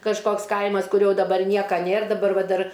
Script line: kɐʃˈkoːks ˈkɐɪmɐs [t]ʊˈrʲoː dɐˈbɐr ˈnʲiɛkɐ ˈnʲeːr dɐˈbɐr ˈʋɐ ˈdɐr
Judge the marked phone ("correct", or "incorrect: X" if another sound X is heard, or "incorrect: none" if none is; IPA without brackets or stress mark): incorrect: k